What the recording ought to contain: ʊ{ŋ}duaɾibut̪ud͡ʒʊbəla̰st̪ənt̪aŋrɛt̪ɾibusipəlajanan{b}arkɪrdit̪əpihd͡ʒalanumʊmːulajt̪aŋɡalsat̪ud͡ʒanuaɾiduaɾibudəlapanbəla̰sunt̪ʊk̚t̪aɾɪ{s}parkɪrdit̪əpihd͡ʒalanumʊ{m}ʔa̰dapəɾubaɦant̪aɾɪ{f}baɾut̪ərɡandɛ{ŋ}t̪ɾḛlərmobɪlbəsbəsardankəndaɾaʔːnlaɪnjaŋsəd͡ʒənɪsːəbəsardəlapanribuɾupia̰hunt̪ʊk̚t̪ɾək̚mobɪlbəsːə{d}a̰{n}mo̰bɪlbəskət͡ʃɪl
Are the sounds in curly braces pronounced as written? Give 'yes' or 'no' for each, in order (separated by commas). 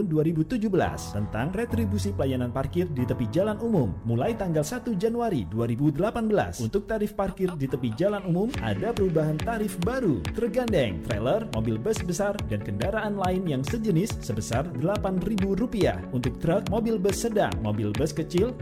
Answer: no, no, no, yes, yes, yes, yes, no